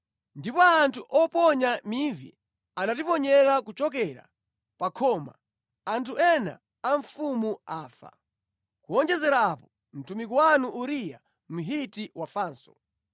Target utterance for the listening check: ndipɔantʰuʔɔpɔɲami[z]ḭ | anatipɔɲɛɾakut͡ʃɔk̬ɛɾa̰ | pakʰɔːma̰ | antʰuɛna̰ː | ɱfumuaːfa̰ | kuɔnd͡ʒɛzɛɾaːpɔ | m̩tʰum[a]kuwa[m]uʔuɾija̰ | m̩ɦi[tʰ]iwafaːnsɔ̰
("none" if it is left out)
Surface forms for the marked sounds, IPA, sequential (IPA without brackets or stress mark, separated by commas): v, i, n, t